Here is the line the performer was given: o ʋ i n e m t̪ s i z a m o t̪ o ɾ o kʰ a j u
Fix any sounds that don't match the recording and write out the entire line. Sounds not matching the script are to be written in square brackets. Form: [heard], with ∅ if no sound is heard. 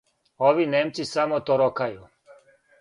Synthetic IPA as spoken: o ʋ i n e m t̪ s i [s] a m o t̪ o ɾ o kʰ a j u